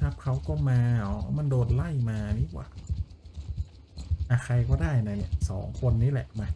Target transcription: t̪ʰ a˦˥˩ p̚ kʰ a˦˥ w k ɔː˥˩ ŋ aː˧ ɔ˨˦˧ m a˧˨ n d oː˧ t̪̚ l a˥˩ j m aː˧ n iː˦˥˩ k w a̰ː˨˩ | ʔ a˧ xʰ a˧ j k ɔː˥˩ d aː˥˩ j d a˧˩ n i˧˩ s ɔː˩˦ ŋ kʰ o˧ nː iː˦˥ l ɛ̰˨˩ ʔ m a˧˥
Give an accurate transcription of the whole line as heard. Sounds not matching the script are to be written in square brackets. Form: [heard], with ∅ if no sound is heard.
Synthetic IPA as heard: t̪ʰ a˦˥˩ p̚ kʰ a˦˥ w k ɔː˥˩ [m] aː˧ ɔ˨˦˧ m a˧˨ n d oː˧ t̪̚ l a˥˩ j m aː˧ n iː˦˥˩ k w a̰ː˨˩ | ʔ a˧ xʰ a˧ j k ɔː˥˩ d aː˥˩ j [n] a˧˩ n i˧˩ s ɔː˩˦ ŋ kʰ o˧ nː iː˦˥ l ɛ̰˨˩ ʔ m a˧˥